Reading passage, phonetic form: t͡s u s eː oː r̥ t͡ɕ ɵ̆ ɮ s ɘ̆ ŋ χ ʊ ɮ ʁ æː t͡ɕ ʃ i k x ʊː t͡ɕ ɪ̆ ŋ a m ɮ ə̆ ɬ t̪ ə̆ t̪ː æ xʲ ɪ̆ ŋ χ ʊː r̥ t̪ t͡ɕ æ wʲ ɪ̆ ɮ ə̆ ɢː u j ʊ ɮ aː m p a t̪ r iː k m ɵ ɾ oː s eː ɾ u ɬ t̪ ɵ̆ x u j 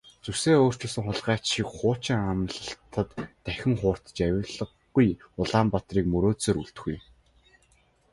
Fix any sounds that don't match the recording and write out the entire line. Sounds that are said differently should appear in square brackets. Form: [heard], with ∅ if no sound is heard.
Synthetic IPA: t͡s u s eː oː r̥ t͡ɕ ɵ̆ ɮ s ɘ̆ ŋ χ ʊ ɮ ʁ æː t͡ɕ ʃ i k [χ] ʊː t͡ɕ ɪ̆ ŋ a m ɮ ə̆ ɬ t̪ ə̆ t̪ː æ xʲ ɪ̆ ŋ χ ʊː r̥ t̪ t͡ɕ æ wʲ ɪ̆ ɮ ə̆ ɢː u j ʊ ɮ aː m p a t̪ r iː k m ɵ ɾ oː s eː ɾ u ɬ t̪ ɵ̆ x u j